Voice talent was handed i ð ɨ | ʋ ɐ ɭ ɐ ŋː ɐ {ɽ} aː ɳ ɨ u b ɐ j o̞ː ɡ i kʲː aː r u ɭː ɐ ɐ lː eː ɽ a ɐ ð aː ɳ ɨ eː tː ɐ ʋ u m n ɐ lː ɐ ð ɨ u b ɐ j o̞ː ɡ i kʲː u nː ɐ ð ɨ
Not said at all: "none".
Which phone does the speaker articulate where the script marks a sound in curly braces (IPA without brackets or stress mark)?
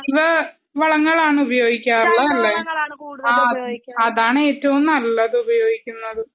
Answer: ɭ